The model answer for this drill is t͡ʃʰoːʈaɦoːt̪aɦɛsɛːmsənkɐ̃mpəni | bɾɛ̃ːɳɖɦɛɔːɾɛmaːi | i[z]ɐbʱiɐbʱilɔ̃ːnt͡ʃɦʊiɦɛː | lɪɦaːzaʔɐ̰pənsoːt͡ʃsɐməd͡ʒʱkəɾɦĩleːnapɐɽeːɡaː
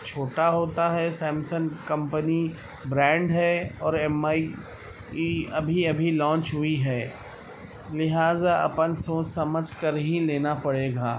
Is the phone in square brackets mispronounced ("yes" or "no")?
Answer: yes